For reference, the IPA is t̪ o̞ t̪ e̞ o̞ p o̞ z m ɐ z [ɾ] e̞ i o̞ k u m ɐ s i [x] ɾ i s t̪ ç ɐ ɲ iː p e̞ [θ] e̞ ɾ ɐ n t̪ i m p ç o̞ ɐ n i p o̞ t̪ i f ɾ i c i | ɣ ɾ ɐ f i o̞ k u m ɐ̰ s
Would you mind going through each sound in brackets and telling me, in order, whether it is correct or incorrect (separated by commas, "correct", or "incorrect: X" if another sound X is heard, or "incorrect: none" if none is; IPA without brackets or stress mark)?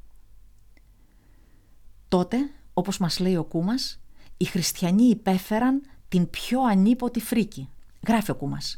incorrect: l, correct, incorrect: f